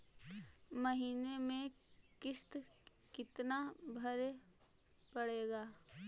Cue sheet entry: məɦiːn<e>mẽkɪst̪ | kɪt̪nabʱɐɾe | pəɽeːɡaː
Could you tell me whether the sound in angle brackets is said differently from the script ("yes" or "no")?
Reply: no